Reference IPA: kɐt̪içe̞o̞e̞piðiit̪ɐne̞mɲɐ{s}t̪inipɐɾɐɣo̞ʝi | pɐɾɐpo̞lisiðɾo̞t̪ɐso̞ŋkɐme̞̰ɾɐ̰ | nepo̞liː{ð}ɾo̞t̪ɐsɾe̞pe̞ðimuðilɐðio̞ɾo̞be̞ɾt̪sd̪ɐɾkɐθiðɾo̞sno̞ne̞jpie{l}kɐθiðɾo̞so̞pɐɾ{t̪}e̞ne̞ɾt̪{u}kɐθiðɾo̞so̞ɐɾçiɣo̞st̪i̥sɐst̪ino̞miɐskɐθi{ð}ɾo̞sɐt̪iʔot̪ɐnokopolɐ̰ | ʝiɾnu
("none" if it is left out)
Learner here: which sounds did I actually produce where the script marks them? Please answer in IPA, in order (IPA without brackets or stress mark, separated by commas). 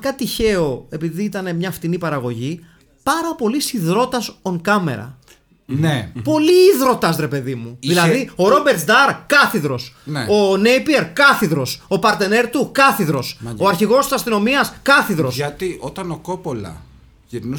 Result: f, ð, ɾ, t̪, u, ð